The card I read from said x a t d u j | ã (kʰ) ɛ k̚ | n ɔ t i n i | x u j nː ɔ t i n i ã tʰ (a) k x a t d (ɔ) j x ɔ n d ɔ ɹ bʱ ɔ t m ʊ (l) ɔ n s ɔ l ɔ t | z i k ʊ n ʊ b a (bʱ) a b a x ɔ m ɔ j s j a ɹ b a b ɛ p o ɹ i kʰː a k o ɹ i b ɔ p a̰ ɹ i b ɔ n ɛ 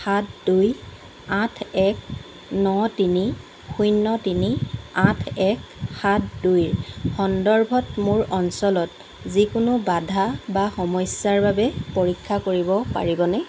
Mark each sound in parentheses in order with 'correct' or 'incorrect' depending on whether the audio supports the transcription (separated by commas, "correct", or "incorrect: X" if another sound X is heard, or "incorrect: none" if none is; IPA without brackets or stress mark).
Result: incorrect: tʰ, incorrect: ɛ, incorrect: u, incorrect: ɹ, incorrect: dʱ